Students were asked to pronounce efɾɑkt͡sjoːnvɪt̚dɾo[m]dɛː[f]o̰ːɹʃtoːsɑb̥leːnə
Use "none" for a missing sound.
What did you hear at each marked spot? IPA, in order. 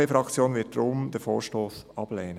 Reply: m, f

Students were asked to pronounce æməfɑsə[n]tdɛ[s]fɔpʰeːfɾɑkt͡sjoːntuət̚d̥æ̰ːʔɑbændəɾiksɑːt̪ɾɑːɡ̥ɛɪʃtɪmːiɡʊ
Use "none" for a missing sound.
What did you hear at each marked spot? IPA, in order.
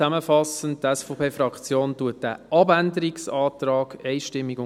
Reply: n, s

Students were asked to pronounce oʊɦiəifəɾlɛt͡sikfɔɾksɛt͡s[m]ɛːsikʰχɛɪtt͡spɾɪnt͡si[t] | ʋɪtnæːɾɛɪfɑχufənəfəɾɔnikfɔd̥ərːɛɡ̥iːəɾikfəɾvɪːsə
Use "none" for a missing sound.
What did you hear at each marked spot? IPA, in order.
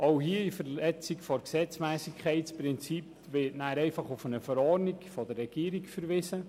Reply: m, p

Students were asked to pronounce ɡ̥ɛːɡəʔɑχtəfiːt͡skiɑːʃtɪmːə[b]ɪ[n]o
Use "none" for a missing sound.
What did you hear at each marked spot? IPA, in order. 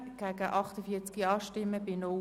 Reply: b, n

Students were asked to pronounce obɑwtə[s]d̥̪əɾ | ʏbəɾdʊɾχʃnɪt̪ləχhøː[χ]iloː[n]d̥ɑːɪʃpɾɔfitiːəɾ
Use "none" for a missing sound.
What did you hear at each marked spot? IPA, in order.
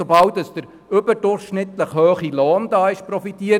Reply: s, χ, n

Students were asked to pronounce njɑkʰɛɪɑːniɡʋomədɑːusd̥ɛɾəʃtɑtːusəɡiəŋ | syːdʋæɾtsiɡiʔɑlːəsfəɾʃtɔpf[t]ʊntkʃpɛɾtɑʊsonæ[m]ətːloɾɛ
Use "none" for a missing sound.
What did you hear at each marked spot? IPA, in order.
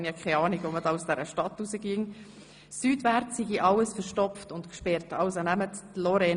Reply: t, m

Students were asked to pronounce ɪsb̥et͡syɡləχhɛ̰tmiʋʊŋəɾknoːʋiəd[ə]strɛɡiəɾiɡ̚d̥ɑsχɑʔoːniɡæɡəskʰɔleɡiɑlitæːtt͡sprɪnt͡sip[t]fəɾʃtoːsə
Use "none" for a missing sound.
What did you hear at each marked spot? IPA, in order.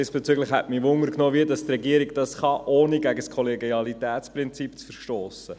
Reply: ɑ, t͡s

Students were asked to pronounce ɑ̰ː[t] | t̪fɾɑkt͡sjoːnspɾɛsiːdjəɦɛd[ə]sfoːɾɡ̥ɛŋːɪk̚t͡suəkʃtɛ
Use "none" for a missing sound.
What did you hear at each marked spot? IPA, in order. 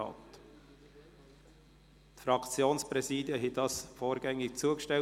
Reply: t, ɑ

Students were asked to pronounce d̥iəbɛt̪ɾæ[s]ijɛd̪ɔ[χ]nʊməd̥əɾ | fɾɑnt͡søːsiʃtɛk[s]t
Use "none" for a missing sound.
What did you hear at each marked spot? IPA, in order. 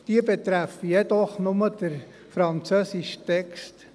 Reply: f, χ, s

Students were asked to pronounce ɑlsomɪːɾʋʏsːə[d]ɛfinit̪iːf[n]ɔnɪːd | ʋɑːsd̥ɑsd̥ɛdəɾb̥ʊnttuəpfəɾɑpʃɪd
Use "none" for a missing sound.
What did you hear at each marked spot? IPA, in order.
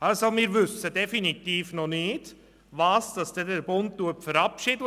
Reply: d, n

